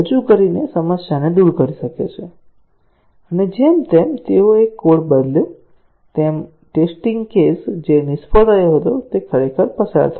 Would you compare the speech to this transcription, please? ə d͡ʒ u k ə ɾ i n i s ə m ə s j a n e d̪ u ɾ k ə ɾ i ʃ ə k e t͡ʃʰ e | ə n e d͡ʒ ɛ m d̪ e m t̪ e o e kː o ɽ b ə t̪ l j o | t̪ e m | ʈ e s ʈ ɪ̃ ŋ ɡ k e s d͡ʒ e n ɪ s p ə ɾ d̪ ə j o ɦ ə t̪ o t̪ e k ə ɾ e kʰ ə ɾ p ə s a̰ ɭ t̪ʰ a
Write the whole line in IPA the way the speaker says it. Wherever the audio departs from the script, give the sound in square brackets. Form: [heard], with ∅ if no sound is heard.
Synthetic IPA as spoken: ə d͡ʒ u k ə ɾ i n [e] s ə m ə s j a n e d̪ u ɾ k ə ɾ i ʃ ə k e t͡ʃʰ e | ə n e d͡ʒ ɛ m [t̪] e m t̪ e o e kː o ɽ b ə [d̪] l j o | t̪ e m | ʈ e s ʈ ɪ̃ ŋ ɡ k e s d͡ʒ e n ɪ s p ə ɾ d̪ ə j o ɦ ə t̪ o t̪ e [kʰ] ə ɾ e kʰ ə ɾ p ə s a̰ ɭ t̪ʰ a